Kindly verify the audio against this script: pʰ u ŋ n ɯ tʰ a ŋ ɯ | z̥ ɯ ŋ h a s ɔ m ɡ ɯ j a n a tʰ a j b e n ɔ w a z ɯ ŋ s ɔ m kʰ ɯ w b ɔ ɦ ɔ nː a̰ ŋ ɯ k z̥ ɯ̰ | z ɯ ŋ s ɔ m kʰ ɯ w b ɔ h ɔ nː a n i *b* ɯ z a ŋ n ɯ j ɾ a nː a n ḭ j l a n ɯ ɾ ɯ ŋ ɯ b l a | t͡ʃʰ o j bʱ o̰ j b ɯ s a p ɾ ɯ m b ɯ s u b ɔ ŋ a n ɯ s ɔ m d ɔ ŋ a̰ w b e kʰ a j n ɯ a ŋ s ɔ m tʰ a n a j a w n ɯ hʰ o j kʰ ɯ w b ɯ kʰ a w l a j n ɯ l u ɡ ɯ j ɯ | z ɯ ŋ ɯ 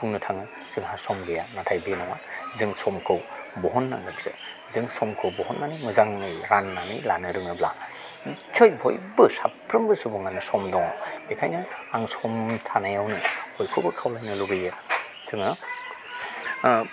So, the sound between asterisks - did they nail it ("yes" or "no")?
no